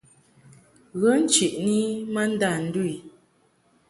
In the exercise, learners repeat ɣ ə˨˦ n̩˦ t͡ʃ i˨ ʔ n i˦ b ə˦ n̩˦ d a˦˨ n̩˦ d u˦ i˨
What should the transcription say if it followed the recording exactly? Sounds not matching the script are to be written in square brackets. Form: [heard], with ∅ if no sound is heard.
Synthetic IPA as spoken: ɣ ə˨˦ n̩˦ t͡ʃ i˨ ʔ n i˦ [m] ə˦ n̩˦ d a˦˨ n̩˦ d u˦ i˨